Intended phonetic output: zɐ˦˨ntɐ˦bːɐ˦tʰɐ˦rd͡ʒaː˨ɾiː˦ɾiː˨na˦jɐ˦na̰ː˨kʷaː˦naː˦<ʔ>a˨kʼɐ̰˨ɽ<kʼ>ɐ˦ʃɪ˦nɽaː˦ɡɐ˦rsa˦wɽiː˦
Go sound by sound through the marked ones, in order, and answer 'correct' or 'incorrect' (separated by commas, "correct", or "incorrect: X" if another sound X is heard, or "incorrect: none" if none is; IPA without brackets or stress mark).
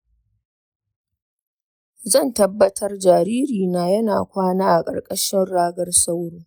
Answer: correct, correct